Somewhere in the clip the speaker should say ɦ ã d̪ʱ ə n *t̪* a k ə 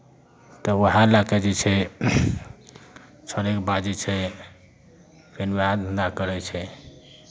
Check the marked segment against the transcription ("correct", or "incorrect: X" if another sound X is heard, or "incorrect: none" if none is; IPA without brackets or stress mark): incorrect: d̪